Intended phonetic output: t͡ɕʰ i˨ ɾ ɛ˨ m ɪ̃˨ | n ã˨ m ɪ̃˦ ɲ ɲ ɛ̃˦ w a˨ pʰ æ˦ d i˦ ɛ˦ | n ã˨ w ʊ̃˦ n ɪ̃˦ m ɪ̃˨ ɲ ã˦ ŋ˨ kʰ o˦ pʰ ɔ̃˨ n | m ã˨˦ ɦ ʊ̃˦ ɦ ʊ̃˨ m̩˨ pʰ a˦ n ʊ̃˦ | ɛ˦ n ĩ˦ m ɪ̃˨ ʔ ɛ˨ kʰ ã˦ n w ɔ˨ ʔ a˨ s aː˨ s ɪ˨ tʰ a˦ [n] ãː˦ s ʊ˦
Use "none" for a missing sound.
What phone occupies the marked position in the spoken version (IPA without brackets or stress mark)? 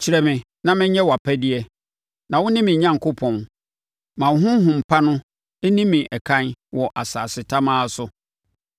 m